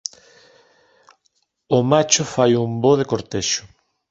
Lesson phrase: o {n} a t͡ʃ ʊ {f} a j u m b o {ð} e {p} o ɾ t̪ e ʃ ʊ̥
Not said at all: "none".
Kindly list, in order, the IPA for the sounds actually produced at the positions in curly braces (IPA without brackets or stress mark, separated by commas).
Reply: m, f, ð, k